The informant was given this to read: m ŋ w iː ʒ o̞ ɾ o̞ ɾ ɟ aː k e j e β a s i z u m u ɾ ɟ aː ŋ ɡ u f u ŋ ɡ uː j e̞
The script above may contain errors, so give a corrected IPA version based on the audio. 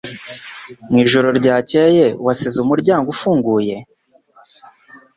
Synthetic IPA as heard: m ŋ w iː ʒ o̞ ɾ o̞ ɾ ɟ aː c e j e w a s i z u m u ɾ ɟ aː ŋ ɡ u f uː ŋ ɡ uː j e̞